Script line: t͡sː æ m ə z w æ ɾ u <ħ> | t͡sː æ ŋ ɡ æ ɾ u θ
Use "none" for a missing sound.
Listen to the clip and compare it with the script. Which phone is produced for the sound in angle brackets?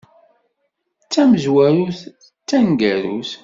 θ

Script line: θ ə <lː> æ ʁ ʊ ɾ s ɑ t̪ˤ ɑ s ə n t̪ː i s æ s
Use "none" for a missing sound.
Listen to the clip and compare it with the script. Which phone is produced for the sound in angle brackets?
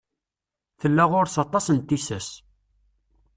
lː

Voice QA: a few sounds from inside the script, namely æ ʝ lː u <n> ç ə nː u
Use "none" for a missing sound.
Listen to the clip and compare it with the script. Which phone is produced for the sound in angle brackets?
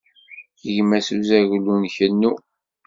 n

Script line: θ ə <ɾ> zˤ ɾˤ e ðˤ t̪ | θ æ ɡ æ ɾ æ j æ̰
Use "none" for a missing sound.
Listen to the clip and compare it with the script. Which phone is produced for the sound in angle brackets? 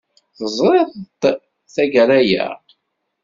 none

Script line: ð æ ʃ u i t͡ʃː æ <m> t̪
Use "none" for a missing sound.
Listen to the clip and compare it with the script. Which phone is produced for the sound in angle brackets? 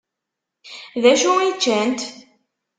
n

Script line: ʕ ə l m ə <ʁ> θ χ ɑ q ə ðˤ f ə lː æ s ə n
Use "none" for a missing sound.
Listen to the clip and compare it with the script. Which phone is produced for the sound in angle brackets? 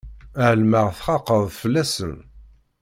ʁ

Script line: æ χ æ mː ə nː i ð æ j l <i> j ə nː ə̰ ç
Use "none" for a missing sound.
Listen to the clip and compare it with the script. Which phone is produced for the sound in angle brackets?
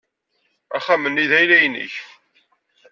æ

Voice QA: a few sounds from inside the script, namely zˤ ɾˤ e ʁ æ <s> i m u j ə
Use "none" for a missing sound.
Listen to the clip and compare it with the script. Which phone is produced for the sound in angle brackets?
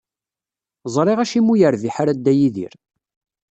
ʃ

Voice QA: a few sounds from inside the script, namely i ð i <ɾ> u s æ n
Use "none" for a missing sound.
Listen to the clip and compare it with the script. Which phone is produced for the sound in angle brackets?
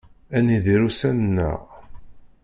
ɾ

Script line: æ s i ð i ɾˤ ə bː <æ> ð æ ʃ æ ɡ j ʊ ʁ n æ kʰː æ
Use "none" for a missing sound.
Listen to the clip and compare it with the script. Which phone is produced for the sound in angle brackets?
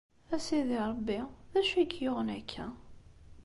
i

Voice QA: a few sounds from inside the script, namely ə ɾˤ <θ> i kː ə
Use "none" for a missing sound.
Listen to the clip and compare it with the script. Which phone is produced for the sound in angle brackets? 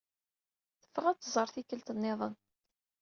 θ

